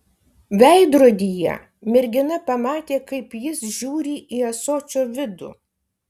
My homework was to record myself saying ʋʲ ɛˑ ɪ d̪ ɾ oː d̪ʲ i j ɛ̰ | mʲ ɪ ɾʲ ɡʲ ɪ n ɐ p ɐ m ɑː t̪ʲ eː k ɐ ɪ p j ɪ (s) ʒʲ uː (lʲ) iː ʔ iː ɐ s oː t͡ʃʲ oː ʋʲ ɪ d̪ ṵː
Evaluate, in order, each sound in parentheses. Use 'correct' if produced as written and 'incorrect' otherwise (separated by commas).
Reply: correct, incorrect